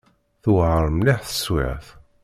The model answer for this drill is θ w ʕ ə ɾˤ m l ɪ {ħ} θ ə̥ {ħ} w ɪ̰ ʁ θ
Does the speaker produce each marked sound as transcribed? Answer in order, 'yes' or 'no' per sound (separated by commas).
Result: yes, no